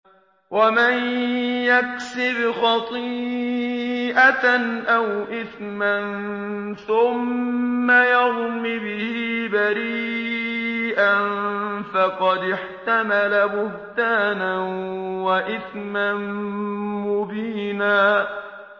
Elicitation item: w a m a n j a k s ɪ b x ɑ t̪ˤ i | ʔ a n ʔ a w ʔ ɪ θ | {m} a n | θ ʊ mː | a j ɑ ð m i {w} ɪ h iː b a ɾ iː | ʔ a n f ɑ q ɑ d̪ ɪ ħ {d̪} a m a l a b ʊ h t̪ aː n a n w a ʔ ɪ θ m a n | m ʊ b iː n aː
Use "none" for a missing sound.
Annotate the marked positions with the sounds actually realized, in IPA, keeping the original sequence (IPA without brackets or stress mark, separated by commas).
m, b, t̪